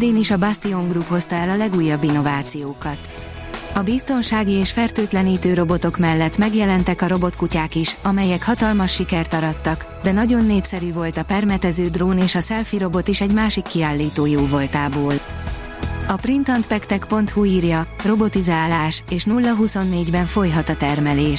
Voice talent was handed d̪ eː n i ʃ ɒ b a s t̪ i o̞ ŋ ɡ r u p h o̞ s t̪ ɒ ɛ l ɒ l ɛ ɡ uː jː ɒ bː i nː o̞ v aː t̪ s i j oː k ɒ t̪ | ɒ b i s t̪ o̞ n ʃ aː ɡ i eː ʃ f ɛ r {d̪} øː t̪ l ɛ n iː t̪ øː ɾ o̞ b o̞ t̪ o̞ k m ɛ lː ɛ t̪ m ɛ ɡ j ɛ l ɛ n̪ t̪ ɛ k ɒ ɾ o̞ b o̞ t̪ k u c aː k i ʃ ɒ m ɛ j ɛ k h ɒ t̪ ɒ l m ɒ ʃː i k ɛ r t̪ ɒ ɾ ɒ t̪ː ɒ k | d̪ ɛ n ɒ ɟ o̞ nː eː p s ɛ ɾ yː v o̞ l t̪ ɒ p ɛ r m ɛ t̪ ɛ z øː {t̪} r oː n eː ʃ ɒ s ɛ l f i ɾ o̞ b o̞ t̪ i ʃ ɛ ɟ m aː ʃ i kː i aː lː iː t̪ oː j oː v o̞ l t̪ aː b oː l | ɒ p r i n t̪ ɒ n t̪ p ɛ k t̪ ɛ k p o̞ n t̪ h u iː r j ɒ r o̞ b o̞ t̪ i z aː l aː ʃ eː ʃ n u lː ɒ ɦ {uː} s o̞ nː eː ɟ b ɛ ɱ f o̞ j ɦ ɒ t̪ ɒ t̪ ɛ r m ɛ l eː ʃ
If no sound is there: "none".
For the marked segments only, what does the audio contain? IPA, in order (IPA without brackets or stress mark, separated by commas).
t̪, d̪, u